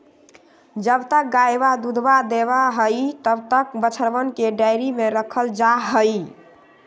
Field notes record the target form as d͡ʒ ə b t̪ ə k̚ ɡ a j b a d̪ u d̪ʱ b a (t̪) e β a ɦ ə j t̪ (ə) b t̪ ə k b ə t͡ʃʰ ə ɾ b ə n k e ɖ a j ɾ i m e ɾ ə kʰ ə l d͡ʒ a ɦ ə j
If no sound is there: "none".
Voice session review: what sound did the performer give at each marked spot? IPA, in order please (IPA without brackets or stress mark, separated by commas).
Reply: d̪, ə